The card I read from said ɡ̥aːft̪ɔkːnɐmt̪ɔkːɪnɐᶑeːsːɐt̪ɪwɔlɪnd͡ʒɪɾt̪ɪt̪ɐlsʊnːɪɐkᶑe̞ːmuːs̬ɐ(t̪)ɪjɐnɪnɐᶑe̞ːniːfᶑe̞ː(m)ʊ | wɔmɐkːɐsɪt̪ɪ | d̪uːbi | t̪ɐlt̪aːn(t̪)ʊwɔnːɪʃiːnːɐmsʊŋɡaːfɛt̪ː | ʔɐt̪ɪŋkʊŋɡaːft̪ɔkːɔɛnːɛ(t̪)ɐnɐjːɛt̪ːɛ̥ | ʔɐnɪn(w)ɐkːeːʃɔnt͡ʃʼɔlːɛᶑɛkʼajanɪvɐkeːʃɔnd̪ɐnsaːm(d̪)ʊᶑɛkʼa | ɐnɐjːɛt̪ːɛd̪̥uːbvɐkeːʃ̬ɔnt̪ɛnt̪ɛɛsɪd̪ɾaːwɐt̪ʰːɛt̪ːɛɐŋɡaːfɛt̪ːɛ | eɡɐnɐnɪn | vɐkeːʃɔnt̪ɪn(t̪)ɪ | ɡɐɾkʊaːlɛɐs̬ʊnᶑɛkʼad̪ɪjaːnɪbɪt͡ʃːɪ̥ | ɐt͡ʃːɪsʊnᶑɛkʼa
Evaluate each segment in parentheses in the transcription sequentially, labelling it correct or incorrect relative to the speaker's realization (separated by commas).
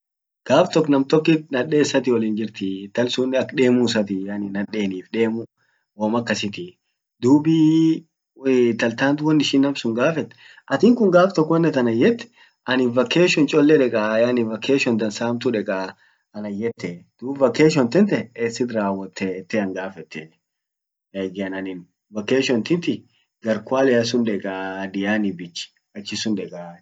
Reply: correct, correct, correct, correct, incorrect, incorrect, correct